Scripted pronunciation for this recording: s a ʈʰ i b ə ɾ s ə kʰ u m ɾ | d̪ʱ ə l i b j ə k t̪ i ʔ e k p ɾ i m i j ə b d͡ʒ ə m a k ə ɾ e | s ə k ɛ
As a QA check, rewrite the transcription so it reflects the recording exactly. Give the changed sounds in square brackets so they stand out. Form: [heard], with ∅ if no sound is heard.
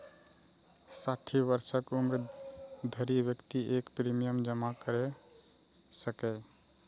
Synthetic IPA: s a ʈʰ i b ə ɾ s ə [k] u m ɾ | d̪ʱ ə [ɾ] i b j ə k t̪ i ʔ e k p ɾ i m i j ə [m] d͡ʒ ə m a k ə ɾ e | s ə k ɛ